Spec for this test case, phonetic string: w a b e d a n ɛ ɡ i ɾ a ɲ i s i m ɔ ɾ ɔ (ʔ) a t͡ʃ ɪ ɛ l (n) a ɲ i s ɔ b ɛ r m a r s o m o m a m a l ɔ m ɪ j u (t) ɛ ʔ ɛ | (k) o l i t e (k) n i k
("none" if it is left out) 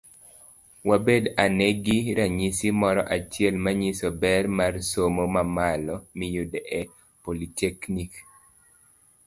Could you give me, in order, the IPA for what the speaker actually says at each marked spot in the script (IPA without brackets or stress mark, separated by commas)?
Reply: ʔ, m, d, p, k